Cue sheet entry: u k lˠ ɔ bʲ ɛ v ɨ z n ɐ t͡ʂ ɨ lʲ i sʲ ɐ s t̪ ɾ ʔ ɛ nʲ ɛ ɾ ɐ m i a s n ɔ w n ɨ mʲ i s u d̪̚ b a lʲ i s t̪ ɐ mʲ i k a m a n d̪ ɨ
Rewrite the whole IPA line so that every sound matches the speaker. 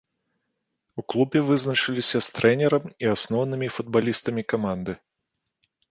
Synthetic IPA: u k lˠ u bʲ ɛ v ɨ z n ɐ t͡ʂ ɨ lʲ i sʲ ɐ s t̪ ɾ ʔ ɛ nʲ ɛ ɾ ɐ m i a s n ɔ w n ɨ mʲ i f u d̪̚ b a lʲ i s t̪ ɐ mʲ i k a m a n d̪ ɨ